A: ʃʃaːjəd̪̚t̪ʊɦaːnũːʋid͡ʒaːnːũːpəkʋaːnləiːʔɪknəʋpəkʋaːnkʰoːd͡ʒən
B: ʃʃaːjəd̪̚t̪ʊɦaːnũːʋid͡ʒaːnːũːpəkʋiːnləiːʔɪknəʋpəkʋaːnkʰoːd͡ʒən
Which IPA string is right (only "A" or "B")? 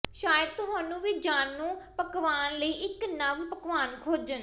A